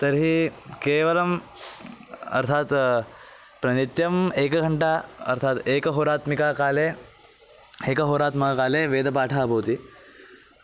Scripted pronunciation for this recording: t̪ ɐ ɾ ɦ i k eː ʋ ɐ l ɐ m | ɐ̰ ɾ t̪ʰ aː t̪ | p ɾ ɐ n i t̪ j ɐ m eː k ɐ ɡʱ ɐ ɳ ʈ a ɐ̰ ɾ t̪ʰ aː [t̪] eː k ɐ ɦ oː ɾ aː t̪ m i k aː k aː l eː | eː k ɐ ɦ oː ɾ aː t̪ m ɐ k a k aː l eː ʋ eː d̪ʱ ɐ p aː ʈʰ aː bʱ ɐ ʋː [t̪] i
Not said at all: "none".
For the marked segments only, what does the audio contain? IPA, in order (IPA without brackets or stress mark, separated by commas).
t̪, t̪